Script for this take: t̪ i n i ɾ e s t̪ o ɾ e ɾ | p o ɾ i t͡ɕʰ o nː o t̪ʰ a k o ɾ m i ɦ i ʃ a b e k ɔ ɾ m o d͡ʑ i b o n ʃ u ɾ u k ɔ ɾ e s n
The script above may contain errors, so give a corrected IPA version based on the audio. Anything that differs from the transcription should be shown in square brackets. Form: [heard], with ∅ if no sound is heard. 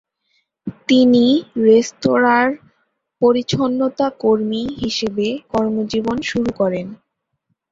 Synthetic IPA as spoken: t̪ i n i ɾ e s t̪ o ɾ [a] ɾ | p o ɾ i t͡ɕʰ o nː o [t̪] a k o ɾ m i ɦ i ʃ [e] b e k ɔ ɾ m o d͡ʑ i b o n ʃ u ɾ u k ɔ ɾ e [∅] n